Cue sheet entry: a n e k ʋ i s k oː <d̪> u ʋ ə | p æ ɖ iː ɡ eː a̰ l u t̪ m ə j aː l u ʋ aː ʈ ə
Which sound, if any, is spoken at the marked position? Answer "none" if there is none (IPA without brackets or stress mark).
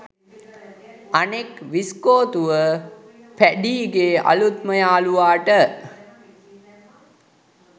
t̪